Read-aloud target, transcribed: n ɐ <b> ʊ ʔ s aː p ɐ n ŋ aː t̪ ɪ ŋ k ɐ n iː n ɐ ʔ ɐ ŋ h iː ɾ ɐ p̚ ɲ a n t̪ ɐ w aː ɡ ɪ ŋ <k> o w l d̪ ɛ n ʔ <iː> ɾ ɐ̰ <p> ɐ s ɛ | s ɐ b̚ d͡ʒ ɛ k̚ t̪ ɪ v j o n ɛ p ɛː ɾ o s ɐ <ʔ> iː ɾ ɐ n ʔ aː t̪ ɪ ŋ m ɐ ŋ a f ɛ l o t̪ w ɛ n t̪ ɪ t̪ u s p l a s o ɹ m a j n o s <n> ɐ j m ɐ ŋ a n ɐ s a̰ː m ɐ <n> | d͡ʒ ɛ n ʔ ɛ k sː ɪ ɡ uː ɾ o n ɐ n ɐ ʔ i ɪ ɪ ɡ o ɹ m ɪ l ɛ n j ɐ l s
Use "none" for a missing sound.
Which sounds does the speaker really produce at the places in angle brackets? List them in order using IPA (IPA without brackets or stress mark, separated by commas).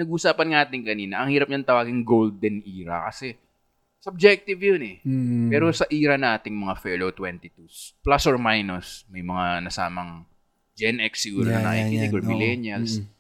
ɡ, ɡ, iː, k, ʔ, m, ŋ